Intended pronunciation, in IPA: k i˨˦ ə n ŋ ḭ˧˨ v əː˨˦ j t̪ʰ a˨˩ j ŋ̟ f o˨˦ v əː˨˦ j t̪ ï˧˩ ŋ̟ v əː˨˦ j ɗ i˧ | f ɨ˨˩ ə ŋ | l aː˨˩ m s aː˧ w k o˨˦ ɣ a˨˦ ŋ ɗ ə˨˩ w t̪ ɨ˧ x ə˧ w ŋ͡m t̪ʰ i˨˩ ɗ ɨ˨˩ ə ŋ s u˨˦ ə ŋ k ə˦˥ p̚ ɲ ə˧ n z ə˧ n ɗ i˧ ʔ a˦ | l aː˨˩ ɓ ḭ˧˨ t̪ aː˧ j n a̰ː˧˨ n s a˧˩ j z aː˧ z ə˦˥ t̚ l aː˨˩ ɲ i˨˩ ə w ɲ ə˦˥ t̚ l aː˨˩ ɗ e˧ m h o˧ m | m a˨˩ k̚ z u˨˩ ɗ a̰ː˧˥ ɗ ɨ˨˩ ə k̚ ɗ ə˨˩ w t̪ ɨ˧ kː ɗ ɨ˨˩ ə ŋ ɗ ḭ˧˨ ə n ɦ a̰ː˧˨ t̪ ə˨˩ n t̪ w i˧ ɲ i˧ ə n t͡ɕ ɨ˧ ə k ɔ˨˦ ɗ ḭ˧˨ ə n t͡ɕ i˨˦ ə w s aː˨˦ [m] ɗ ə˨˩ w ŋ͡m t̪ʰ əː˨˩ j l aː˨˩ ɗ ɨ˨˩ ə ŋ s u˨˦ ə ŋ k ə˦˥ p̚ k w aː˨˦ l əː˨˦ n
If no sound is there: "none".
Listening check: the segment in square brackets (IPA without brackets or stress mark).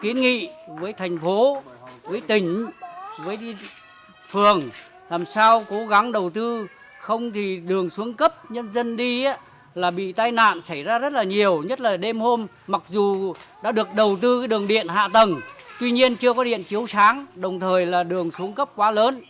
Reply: ŋ